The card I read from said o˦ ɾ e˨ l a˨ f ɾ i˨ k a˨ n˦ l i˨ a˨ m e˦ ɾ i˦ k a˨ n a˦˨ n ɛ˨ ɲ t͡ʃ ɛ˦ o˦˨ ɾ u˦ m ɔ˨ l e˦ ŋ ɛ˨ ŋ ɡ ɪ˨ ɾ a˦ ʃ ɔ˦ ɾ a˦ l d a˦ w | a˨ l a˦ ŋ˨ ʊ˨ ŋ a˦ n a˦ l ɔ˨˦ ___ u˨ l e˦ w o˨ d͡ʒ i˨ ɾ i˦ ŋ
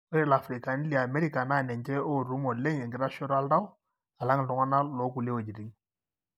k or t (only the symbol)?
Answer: k